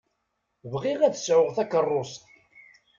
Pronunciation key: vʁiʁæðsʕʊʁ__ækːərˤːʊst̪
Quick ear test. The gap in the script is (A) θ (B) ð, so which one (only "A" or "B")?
A